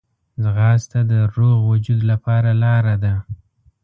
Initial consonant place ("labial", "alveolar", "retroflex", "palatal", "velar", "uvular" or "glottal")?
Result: alveolar